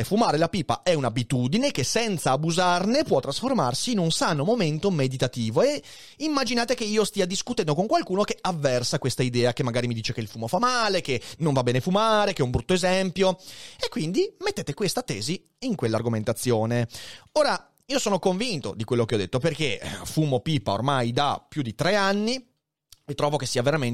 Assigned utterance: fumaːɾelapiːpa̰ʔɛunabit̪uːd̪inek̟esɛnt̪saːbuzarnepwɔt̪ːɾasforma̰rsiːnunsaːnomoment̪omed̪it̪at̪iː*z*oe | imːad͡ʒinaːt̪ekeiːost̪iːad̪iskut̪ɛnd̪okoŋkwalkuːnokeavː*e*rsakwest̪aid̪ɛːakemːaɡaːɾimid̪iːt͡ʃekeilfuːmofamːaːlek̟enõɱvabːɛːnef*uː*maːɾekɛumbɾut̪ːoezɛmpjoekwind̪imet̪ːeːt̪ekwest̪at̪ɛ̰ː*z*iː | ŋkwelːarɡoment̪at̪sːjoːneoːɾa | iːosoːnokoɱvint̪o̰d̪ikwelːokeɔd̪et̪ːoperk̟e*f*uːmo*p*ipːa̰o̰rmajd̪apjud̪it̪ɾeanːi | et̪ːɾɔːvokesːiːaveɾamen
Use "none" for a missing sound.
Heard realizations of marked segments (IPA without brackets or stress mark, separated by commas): v, ɛ, u, z, f, p